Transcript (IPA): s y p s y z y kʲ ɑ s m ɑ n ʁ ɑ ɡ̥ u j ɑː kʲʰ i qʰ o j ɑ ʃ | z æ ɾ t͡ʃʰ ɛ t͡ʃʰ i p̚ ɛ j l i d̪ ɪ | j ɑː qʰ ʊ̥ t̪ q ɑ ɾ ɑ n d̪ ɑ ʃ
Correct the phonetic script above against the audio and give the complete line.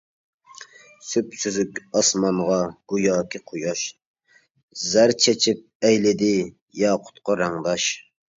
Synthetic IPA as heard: s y p s y z y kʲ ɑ s m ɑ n ʁ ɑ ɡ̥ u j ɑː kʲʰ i qʰ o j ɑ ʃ | z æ ɾ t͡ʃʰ ɛ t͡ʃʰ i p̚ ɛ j l ɪ d̪ ɪ | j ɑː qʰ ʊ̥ t̪ q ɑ ɾ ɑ ŋ d̪ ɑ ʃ